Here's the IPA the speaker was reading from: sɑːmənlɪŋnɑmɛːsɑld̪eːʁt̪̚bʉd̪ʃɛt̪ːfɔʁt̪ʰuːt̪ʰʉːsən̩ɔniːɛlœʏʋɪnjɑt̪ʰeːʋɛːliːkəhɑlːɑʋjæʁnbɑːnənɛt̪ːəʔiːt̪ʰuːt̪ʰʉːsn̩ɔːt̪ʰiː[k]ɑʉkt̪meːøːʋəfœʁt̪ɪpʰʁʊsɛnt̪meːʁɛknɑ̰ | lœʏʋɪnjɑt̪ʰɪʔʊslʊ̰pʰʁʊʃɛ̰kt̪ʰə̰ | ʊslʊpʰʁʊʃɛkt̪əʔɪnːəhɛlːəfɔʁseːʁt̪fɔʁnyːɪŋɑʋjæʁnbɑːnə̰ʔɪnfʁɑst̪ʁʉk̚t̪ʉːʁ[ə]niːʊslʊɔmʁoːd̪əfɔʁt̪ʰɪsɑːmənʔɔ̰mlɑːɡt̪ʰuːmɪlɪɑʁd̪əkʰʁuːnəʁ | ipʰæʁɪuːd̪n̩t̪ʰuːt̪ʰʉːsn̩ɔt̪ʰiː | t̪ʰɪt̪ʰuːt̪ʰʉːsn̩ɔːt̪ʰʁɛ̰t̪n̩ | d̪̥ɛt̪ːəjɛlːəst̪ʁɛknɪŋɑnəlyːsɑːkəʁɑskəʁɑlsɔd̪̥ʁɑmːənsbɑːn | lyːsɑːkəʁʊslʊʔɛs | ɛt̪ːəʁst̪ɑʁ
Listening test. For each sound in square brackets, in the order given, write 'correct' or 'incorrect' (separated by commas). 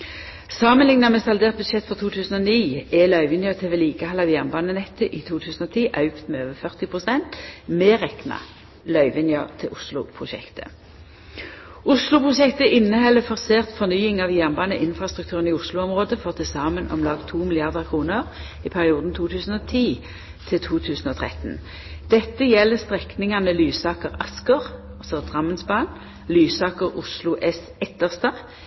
incorrect, correct